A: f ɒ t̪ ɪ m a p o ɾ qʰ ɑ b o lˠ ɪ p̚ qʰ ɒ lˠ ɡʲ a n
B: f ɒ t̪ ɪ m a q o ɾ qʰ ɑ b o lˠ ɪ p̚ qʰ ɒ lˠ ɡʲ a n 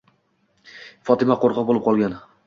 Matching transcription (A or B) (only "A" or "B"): B